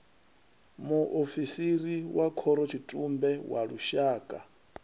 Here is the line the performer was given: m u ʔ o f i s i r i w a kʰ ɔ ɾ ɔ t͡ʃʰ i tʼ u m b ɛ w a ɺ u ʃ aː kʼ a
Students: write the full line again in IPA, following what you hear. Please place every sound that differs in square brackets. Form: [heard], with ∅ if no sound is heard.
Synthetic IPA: m u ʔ o f i s i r i w a kʰ ɔ ɾ ɔ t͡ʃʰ i tʼ u m b ɛ w a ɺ u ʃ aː kʼ a